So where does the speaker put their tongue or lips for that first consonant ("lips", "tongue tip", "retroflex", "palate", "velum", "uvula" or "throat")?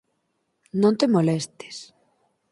tongue tip